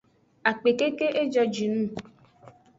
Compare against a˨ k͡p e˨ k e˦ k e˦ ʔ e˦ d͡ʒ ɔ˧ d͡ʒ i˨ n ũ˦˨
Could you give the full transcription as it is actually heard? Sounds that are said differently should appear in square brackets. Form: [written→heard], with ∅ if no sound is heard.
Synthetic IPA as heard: a˨ k͡p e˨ k e˦ k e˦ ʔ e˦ d͡ʒ ɔ˧ d͡ʒ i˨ n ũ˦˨